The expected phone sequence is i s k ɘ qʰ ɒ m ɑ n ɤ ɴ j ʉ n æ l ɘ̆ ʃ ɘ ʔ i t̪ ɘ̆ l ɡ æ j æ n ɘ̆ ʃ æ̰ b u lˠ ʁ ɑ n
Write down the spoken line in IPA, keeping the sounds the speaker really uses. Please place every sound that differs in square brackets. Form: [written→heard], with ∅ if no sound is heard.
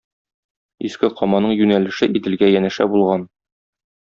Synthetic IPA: i s k ɘ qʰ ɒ m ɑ n ɤ ɴ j ʉ n æ l ɘ̆ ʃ ɘ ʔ i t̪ ɘ̆ l ɡ æ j æ n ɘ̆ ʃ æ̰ b u lˠ ʁ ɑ n